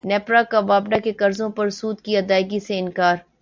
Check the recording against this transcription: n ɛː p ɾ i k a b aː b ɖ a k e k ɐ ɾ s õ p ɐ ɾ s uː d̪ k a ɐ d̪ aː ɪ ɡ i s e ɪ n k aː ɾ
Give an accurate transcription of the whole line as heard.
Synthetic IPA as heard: n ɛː p ɾ a k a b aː b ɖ a k e k ɐ ɾ z õ p ɐ ɾ s uː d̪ k i ɐ d̪ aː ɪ ɡ i s e ɪ n k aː ɾ